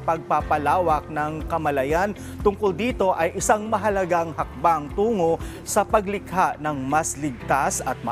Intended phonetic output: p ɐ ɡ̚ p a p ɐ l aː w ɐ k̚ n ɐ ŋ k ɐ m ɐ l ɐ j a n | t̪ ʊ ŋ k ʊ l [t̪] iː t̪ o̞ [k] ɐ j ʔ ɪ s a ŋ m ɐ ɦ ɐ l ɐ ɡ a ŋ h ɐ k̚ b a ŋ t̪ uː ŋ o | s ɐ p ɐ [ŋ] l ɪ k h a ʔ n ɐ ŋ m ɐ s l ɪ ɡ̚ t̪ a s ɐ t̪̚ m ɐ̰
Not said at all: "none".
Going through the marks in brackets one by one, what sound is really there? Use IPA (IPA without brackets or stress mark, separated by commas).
d̪, ʔ, ɡ